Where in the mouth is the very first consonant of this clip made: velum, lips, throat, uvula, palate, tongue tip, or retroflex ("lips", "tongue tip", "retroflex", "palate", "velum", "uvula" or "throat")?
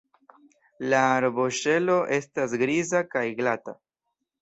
tongue tip